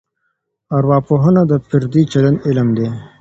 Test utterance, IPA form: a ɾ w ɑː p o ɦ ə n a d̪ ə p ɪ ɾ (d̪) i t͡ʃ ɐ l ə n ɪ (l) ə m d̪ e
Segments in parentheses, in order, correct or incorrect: correct, correct

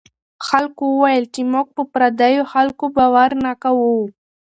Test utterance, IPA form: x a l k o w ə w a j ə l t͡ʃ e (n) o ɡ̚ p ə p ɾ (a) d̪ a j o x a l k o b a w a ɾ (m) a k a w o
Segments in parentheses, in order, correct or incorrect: incorrect: m, correct, incorrect: n

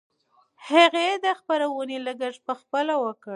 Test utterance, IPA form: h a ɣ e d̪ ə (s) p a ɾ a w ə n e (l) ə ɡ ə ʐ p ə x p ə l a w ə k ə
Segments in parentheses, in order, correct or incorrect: incorrect: x, correct

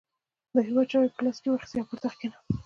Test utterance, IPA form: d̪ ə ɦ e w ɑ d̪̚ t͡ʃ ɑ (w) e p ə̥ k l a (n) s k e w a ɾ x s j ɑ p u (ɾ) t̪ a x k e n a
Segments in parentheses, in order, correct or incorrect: correct, incorrect: none, correct

